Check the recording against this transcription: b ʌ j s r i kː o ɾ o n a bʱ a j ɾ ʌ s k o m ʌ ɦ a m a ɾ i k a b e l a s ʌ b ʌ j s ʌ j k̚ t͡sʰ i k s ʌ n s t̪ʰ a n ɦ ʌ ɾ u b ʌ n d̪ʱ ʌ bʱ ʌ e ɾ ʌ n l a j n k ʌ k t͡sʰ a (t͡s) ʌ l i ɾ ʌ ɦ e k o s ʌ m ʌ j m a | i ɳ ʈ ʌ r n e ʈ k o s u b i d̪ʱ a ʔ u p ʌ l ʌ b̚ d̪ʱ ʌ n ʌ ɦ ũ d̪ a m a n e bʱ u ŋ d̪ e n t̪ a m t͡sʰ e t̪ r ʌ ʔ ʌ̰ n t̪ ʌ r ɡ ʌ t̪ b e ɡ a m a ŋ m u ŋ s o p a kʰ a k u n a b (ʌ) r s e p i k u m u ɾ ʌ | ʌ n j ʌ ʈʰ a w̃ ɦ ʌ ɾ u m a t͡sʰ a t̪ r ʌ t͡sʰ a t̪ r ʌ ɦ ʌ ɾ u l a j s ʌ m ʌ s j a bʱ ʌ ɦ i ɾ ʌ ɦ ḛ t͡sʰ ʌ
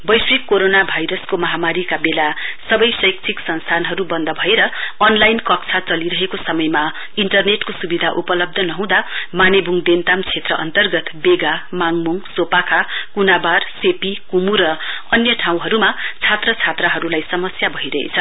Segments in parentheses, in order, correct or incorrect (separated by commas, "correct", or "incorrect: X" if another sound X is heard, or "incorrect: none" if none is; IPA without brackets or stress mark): correct, incorrect: a